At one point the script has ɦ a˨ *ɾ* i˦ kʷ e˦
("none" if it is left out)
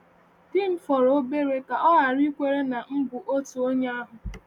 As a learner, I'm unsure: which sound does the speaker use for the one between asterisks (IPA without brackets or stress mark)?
ɾ